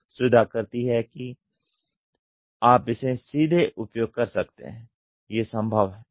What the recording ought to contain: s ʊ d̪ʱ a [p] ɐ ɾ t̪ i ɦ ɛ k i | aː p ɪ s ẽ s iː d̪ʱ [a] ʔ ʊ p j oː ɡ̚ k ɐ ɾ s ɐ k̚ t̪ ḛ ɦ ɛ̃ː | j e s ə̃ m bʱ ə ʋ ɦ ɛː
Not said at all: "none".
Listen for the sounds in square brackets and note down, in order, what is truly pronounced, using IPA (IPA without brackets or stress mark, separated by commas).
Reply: k, e